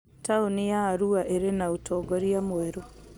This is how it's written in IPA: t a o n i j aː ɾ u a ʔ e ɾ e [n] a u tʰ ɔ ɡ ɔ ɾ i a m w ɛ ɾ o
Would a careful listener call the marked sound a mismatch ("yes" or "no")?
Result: no